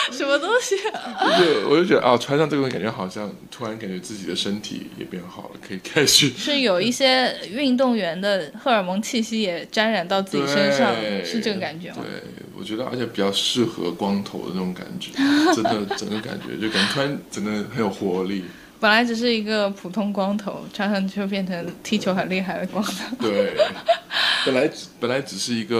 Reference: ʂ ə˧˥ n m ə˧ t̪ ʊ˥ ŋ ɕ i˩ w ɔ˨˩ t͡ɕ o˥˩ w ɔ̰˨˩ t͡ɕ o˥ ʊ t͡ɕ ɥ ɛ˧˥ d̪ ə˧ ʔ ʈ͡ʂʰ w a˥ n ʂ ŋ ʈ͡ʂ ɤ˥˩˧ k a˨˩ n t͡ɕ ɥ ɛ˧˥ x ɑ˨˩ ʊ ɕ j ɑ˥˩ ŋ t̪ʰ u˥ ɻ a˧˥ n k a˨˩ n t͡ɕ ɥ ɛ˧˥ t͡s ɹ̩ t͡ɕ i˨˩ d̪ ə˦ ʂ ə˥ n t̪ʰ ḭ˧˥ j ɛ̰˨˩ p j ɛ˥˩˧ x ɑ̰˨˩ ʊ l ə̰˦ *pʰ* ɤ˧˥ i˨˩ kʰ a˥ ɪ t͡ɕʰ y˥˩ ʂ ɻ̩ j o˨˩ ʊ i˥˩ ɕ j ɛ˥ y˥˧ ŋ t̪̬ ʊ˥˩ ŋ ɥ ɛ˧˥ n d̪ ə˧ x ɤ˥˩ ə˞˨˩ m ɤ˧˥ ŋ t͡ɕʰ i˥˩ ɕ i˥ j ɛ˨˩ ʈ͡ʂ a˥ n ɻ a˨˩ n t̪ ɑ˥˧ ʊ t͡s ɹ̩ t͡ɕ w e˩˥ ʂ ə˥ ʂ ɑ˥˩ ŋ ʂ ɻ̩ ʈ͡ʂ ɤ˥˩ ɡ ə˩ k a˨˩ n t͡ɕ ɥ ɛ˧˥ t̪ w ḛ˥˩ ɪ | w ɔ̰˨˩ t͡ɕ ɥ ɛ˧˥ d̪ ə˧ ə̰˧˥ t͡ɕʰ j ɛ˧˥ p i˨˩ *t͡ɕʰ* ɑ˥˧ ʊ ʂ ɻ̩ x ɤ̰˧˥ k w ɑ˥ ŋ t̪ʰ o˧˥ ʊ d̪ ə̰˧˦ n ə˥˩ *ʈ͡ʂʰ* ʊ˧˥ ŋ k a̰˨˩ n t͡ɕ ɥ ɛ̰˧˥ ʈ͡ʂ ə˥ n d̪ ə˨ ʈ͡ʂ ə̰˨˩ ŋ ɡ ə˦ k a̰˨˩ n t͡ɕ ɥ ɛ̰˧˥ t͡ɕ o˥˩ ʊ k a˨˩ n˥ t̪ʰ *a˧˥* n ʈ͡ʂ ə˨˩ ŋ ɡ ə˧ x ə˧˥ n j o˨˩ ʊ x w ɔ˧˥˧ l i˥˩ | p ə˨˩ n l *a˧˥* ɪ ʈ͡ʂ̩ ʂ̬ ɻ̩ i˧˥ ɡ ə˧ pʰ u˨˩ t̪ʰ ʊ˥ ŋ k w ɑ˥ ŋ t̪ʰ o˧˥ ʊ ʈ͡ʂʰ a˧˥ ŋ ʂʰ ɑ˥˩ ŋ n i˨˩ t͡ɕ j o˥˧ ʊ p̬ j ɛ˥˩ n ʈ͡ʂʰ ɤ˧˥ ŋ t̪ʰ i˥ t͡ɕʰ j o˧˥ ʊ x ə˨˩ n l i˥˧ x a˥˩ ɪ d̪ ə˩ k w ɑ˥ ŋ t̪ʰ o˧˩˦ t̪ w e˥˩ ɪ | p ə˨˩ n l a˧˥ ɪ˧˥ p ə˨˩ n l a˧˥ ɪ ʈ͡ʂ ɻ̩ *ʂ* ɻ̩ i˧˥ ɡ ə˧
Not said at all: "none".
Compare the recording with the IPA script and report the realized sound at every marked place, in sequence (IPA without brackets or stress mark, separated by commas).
kʰ, t͡ɕ, ʈ͡ʂ, a˥, a˧˥, ʂ